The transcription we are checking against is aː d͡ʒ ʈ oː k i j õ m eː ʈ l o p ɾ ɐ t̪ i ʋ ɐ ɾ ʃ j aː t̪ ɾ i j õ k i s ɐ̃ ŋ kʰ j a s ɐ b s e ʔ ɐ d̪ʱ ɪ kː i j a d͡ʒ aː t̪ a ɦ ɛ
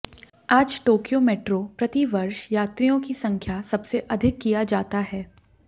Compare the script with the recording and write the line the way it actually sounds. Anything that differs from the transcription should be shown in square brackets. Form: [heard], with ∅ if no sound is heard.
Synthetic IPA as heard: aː d͡ʒ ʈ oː k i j [o] m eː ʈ [ɾ] o p ɾ ɐ t̪ i ʋ ɐ ɾ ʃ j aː t̪ ɾ i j õ k i s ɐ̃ ŋ kʰ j a s ɐ b s e ʔ ɐ d̪ʱ ɪ kː i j a d͡ʒ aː t̪ a ɦ [ɛː]